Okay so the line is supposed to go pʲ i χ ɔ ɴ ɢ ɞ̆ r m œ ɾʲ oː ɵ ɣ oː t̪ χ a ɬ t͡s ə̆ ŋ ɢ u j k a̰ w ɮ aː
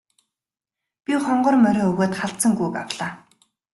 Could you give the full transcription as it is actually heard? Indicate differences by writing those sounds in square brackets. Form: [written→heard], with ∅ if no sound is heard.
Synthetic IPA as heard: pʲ i χ ɔ ɴ ɢ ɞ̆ r m œ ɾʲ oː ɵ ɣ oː t̪ χ a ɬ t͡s ə̆ ŋ [ɢ→ɡ] u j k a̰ w ɮ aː